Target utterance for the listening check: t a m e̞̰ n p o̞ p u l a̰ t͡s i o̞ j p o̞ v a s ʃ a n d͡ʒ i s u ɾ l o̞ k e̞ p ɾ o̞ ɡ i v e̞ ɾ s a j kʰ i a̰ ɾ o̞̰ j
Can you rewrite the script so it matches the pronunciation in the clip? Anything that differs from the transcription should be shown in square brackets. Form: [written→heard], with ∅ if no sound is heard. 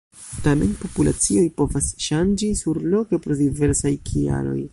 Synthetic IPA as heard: t a m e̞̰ n p o̞ p u l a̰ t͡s i o̞ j p o̞ v a s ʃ a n d͡ʒ i s u ɾ l o̞ k e̞ p ɾ o̞ [ɡ→d] i v e̞ ɾ s a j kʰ i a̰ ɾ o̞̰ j